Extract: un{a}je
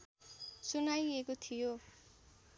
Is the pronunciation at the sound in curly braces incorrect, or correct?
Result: correct